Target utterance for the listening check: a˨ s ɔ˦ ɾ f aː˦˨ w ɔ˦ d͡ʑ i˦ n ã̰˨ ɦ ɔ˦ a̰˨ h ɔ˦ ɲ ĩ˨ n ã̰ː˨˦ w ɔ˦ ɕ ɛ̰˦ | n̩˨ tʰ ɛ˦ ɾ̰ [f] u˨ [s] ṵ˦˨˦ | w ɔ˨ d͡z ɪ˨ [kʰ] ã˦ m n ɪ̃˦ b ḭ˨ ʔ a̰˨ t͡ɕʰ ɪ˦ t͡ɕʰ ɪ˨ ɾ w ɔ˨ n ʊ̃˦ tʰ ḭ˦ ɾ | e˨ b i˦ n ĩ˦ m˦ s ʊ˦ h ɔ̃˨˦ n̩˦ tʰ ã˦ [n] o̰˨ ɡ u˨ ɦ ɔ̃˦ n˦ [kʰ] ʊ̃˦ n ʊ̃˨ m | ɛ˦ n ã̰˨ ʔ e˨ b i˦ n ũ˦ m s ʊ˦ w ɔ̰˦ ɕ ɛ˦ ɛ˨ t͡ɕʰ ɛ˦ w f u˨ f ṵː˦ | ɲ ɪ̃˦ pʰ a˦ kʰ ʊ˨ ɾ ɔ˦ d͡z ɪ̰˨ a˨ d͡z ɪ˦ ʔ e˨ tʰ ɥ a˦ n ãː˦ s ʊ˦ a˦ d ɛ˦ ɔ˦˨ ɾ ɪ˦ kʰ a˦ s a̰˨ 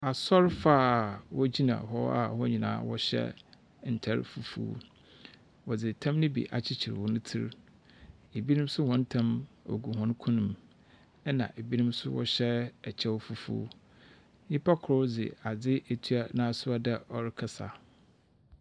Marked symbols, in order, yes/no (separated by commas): yes, no, no, no, yes